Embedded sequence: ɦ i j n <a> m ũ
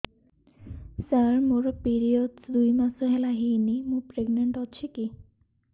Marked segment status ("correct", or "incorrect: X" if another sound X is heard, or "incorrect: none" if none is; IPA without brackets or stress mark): incorrect: i